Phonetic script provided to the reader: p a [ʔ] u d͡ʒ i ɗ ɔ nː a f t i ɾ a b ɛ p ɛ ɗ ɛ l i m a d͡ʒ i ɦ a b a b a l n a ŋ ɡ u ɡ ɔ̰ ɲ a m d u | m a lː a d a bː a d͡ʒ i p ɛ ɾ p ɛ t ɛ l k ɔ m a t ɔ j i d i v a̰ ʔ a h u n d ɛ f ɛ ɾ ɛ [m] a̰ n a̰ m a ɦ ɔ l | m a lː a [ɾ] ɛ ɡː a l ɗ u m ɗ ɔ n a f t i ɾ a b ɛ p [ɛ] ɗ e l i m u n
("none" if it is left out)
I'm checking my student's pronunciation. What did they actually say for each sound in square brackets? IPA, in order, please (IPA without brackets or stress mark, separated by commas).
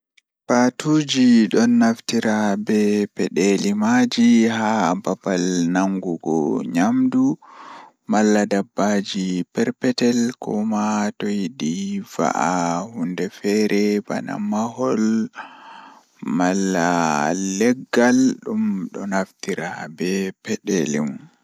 t, b, l, ɛ